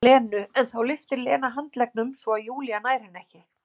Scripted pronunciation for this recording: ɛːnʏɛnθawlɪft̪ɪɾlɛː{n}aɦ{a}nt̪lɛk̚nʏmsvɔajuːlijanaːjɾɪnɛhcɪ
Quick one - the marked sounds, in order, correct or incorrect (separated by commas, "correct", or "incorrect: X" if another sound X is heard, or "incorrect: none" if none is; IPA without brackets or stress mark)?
correct, correct